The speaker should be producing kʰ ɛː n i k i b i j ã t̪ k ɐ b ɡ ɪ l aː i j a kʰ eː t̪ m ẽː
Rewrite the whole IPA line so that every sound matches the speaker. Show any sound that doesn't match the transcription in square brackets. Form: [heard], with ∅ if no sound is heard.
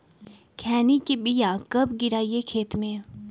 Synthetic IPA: kʰ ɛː n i k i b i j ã [∅] k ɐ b ɡ ɪ [ɾ] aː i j [e] kʰ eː t̪ m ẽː